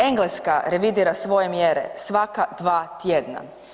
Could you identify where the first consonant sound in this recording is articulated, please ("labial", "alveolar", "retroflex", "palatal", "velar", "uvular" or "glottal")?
velar